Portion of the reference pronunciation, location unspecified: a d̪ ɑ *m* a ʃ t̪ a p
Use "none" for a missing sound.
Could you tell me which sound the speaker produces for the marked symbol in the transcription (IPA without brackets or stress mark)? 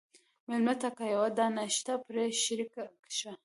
n